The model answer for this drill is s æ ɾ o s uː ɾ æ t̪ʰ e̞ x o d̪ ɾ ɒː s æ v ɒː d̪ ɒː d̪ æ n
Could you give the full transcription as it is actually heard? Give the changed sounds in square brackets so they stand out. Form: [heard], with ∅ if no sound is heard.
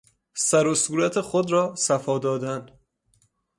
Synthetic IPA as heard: s æ ɾ o s uː ɾ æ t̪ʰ e̞ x o d̪ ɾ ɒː s æ [f] ɒː d̪ ɒː d̪ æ n